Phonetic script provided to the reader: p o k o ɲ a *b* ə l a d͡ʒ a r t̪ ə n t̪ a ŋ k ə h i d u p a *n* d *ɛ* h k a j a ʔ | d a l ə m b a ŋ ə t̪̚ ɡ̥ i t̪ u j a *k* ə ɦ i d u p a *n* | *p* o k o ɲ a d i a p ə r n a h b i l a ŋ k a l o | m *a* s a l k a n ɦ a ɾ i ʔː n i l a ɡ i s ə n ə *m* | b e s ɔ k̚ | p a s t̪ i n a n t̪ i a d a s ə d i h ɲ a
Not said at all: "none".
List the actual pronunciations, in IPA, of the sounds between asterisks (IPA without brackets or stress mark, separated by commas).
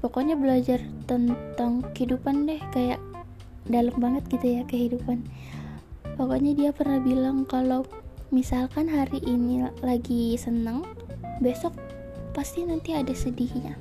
b, n, ɛ, k, n, p, i, ŋ